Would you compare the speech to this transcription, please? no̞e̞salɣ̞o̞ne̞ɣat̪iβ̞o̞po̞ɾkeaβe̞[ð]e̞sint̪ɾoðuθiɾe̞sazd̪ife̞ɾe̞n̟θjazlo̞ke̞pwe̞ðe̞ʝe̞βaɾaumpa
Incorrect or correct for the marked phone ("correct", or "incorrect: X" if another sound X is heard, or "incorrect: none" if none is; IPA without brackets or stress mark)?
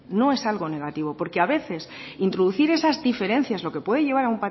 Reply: incorrect: θ